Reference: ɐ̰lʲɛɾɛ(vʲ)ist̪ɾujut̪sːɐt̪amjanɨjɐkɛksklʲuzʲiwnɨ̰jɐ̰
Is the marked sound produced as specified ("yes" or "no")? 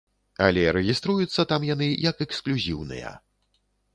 no